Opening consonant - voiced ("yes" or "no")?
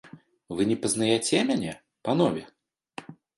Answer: yes